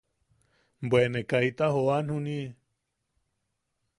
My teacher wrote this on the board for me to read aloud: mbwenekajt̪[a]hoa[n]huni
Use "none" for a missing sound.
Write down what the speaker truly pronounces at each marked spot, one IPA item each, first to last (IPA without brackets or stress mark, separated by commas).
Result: a, n